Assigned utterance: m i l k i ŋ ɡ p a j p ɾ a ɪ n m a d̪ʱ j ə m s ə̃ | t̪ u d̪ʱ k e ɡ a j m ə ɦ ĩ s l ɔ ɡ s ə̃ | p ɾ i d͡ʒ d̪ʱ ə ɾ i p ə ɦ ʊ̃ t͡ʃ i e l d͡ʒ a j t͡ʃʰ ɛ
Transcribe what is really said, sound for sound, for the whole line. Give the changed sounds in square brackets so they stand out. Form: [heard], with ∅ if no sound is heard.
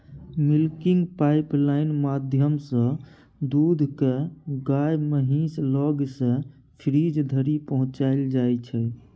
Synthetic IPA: m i l k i ŋ ɡ p a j p [l] a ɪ n m a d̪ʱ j ə m s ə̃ | [d̪] u d̪ʱ k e ɡ a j m ə ɦ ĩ s l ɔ ɡ s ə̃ | [pʰ] ɾ i d͡ʒ d̪ʱ ə ɾ i p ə ɦ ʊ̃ t͡ʃ [a] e l d͡ʒ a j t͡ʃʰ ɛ